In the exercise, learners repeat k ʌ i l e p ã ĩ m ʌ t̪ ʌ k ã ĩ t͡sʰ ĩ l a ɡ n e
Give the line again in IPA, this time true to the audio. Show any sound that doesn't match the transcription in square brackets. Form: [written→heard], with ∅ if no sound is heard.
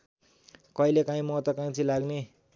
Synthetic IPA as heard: k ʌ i l e [p→k] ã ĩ m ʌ t̪ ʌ k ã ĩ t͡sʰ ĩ l a ɡ n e